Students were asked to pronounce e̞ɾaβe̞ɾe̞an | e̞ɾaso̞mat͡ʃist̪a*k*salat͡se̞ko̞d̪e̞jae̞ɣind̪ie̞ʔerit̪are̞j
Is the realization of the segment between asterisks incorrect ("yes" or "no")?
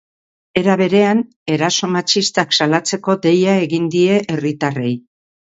no